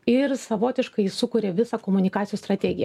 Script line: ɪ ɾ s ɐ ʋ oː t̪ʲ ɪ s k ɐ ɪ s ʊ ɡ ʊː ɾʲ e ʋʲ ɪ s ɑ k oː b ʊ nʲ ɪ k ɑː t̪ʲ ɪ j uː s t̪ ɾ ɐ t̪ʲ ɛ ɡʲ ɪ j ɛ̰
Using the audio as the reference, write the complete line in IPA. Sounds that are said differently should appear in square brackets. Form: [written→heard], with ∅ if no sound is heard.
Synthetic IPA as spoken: ɪ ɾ s ɐ ʋ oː t̪ʲ ɪ [s→ʃ] k ɐ ɪ s ʊ [ɡ→k] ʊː ɾʲ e ʋʲ ɪ s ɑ k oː [b→m] ʊ nʲ ɪ k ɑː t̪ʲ ɪ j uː s t̪ ɾ ɐ t̪ʲ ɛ ɡʲ ɪ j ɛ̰